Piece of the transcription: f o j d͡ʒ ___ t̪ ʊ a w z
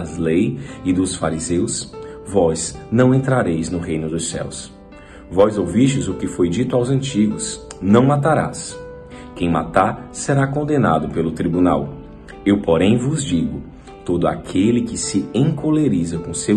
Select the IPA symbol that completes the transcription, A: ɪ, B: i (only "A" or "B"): B